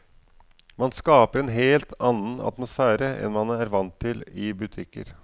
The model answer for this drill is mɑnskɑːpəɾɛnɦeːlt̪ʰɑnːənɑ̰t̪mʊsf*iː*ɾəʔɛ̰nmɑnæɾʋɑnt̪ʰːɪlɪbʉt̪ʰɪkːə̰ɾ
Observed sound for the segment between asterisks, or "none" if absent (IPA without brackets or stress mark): æː